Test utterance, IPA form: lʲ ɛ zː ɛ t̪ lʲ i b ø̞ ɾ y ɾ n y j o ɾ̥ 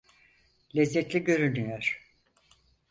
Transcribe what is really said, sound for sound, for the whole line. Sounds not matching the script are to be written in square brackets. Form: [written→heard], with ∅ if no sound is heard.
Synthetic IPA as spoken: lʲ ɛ zː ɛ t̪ lʲ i [b→ɟ] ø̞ ɾ y [ɾ→∅] n y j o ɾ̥